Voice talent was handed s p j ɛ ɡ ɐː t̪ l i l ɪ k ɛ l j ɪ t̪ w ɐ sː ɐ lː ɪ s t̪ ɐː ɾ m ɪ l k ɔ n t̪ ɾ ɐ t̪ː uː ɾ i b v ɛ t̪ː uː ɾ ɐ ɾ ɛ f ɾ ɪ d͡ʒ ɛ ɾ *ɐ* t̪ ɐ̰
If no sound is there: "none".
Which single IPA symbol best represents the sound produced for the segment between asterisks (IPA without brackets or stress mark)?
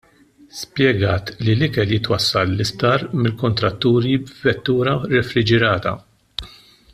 ɐː